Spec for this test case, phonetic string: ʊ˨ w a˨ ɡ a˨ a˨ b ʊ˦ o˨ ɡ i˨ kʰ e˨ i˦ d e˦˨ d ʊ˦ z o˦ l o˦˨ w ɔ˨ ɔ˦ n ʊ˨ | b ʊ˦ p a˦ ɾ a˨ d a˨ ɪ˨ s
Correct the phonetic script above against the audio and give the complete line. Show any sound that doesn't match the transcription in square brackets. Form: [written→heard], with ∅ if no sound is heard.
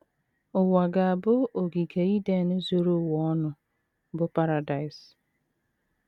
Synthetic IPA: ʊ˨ w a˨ ɡ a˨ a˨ b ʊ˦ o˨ ɡ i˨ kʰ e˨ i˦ d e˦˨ [d→n] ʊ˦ z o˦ [l→ɾ] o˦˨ w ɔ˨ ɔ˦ n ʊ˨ | b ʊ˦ p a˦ ɾ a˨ d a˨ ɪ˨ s

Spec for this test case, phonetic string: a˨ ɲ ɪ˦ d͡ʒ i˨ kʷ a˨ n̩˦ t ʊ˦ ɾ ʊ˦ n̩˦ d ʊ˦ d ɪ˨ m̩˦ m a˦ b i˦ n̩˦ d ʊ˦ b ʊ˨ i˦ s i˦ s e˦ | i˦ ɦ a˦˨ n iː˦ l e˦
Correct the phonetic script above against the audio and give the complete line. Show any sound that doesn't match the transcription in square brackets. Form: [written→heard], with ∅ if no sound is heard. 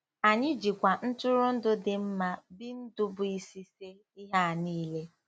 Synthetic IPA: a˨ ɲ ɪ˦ d͡ʒ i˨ kʷ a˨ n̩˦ t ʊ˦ ɾ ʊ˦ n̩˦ d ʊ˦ d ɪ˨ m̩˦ m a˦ b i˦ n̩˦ d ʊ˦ b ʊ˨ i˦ s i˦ s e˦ | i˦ ɦ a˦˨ n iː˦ l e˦

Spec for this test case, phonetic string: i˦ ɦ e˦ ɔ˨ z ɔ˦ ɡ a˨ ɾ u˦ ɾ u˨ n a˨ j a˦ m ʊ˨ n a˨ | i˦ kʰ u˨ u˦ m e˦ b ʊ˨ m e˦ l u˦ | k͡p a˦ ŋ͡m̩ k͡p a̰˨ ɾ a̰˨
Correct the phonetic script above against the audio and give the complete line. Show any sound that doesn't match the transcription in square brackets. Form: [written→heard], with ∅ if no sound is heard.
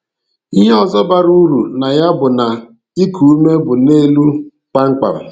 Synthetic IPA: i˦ ɦ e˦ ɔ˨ z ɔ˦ [ɡ→b] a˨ ɾ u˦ ɾ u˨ n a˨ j a˦ [m→b] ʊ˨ n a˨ | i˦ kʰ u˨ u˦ m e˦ b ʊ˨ [m→n] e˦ l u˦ | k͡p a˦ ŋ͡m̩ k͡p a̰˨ ɾ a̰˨

